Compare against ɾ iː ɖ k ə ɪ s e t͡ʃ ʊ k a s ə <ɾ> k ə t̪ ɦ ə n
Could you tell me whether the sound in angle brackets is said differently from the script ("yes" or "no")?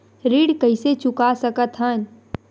yes